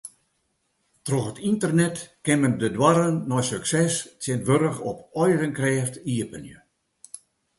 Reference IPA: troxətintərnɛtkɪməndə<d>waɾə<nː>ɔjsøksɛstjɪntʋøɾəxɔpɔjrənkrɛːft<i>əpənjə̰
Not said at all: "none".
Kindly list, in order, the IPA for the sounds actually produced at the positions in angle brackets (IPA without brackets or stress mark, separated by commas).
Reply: d, nː, i